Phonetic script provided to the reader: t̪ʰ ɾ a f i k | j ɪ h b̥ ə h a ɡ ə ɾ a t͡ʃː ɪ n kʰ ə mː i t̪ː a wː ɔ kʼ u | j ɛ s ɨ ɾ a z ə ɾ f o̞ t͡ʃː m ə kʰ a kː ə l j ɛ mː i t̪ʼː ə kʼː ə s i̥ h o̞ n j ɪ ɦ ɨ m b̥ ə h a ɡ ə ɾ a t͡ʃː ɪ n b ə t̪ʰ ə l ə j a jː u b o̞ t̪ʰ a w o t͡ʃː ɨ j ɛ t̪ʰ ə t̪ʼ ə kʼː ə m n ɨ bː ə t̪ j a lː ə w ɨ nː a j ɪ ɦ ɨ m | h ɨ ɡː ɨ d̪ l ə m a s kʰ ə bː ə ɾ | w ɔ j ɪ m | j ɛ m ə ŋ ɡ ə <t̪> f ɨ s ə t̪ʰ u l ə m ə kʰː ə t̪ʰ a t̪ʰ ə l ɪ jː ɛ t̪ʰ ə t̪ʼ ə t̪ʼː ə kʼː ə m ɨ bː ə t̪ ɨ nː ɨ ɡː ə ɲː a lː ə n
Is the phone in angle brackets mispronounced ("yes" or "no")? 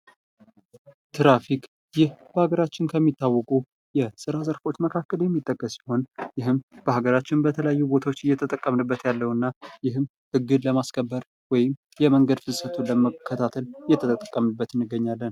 yes